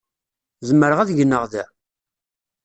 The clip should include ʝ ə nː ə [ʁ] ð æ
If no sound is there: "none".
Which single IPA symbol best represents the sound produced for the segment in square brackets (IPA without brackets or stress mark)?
ʁ